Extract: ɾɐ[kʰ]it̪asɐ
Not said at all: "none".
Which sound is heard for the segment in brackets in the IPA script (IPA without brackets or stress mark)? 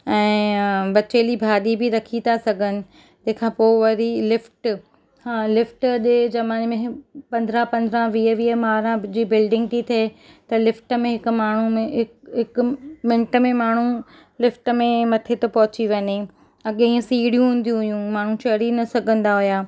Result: kʰ